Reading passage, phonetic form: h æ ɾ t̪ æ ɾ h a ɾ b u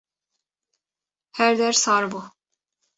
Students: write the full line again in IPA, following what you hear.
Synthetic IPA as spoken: h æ ɾ d̪ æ ɾ s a ɾ b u